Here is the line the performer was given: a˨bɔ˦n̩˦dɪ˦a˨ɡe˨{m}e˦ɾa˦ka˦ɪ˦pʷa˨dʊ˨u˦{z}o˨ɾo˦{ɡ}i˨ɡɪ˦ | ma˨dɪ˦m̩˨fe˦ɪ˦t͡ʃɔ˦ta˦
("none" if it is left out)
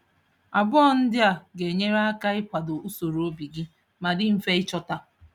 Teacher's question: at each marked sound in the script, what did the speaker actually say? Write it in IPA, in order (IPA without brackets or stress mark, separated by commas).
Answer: ɲ, s, b